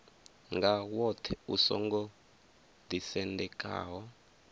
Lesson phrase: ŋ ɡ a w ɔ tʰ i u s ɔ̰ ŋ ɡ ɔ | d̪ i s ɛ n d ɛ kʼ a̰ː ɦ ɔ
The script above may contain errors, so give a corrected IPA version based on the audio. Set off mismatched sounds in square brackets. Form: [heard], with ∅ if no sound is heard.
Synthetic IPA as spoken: ŋ ɡ a w ɔ tʰ [ɛ] u s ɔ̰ ŋ ɡ ɔ | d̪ i s ɛ n d ɛ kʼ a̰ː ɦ ɔ